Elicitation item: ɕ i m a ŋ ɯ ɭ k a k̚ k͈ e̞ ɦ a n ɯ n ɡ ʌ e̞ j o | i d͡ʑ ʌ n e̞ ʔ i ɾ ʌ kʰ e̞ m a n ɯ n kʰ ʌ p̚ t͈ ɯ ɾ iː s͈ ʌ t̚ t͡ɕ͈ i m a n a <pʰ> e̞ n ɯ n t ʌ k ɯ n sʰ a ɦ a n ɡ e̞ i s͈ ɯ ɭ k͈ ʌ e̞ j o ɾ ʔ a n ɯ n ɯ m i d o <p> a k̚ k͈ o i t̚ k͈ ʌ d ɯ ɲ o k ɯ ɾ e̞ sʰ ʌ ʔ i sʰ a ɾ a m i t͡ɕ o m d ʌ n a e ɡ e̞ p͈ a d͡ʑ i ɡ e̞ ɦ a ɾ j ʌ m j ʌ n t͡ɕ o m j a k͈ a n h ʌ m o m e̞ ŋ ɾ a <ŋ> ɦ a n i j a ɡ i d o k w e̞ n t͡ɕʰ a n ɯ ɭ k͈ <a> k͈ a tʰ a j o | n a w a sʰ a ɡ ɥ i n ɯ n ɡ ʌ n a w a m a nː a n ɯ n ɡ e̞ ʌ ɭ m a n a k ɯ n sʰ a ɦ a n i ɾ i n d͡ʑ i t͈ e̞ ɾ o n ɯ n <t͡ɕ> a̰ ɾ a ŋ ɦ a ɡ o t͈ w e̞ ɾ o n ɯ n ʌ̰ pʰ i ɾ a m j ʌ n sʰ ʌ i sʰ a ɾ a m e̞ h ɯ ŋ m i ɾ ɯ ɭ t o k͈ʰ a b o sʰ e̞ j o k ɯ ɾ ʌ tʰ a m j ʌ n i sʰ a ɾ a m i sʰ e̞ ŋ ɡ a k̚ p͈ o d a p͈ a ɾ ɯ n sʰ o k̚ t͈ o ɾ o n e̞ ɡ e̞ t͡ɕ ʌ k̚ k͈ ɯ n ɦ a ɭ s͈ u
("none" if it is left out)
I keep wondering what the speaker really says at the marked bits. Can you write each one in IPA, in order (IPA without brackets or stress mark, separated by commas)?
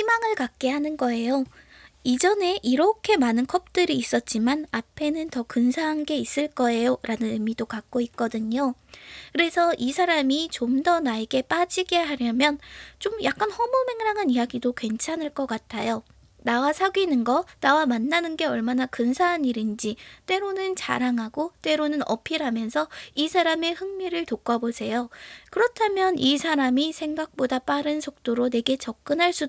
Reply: pʰ, k, ŋ, ʌ, t͡ɕ